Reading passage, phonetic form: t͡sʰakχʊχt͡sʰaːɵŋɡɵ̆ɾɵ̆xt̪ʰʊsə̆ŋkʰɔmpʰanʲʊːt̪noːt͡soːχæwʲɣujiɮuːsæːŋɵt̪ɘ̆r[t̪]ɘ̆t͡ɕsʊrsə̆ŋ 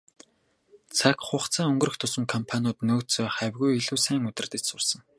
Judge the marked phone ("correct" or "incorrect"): correct